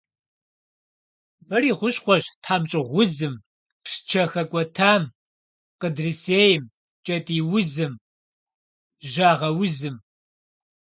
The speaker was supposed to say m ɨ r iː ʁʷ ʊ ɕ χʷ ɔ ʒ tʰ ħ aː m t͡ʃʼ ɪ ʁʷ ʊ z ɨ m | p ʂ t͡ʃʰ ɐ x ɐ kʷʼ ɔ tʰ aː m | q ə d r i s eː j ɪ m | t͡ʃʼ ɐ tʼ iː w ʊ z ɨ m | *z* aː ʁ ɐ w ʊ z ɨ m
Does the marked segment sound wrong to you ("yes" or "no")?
yes